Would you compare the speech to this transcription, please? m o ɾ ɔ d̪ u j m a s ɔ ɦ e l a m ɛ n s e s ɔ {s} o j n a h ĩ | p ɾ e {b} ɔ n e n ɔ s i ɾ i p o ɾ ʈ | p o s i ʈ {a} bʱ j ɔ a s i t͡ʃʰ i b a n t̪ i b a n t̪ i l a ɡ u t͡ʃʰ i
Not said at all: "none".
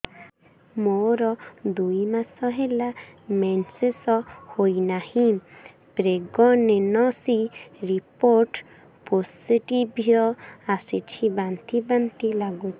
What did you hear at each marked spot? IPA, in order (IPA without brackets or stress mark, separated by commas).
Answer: h, ɡ, i